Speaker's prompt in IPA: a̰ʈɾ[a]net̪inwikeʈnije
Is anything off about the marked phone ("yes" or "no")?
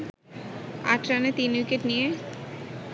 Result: no